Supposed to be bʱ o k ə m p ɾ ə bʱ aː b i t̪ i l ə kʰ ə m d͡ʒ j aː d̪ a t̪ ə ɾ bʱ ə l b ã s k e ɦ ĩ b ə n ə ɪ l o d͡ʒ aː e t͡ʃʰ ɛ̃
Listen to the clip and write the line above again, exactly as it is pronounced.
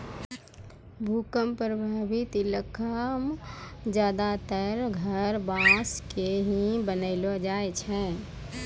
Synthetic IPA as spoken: bʱ u k ə m p ɾ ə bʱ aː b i t̪ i l ə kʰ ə m d͡ʒ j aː d̪ a t̪ ə ɾ ɡʱ ə ɾ b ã s k e ɦ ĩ b ə n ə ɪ l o d͡ʒ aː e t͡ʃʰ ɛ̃